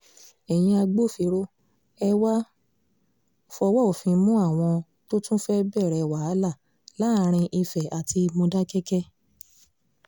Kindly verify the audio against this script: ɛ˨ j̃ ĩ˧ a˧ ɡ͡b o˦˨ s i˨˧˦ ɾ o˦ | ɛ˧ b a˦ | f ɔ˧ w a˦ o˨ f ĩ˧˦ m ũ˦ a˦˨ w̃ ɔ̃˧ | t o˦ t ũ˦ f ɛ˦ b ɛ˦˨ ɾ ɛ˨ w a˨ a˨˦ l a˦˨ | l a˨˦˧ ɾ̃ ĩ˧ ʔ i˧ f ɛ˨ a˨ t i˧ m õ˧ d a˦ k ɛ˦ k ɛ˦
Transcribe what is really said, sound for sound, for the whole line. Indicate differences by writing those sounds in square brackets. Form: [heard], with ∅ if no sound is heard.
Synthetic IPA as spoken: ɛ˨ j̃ ĩ˧ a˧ ɡ͡b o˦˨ [f] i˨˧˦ ɾ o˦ | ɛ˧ [w] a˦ | f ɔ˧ w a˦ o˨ f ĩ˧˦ m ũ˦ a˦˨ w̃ ɔ̃˧ | t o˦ t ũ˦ f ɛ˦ b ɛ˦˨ ɾ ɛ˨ w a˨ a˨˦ l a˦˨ | l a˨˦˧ ɾ̃ ĩ˧ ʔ i˧ f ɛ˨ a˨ t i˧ m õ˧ d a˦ k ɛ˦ k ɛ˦

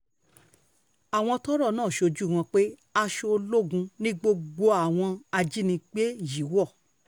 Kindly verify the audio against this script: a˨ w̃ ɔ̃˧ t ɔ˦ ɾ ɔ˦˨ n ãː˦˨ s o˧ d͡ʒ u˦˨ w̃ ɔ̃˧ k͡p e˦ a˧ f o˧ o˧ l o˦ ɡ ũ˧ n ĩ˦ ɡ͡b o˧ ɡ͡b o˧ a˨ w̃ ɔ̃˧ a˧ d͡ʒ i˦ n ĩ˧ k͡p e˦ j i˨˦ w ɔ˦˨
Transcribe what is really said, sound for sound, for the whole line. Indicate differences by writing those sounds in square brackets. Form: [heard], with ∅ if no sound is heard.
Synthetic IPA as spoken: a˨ w̃ ɔ̃˧ t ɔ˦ ɾ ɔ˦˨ n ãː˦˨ [ʃ] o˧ d͡ʒ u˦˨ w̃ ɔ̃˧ k͡p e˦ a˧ [ʃ] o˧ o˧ l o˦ ɡ ũ˧ n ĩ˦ ɡ͡b o˧ ɡ͡b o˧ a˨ w̃ ɔ̃˧ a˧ d͡ʒ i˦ n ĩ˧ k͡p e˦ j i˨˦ w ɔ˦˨

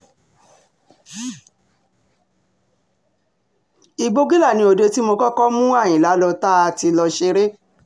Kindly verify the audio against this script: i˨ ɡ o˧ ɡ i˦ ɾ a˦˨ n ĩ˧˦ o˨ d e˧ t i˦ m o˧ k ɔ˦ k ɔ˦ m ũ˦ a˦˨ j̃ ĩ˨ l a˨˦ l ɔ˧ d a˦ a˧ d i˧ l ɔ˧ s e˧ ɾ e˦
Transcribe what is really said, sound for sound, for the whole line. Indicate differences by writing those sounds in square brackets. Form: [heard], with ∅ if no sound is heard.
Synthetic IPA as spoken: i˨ [ɡ͡b] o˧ ɡ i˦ [l] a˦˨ n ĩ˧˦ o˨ d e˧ t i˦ m o˧ k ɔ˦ k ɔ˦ m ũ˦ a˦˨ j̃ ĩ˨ l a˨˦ l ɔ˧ [t] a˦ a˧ [t] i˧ l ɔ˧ [ʃ] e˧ ɾ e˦

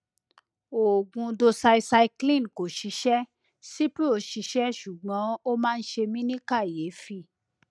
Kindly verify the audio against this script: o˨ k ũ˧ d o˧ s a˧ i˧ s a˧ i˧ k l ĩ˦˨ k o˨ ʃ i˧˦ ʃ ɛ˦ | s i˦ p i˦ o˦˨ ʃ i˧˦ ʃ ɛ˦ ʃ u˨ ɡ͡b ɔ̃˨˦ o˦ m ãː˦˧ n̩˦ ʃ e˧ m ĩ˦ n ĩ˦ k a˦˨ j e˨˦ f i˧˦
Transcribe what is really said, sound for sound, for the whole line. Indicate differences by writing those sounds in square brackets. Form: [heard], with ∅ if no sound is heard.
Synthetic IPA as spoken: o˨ [ɡ] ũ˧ d o˧ s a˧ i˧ s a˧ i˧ k l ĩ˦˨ k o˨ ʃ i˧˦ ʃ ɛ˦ | s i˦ p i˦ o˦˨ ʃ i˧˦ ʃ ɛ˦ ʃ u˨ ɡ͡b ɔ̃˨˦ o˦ m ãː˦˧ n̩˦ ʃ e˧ m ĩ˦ n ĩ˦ k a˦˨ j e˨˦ f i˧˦

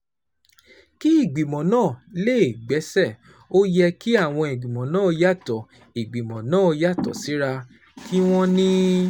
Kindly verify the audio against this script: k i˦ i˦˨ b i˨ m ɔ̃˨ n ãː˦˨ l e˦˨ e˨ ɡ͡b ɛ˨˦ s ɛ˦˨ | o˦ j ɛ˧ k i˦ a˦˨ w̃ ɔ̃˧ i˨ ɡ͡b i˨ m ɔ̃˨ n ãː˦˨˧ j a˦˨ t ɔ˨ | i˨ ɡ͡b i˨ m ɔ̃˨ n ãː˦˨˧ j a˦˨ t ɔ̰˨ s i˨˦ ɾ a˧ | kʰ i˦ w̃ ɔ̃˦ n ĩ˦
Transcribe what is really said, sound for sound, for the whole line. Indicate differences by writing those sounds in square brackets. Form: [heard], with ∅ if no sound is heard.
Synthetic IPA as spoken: k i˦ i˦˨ [ɡ͡b] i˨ m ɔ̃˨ n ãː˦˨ l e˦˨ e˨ ɡ͡b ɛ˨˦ s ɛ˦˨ | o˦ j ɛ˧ k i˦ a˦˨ w̃ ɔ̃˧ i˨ ɡ͡b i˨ m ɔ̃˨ n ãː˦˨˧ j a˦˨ t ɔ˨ | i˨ ɡ͡b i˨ m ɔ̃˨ n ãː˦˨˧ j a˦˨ t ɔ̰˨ s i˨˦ ɾ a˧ | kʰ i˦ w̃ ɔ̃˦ n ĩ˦

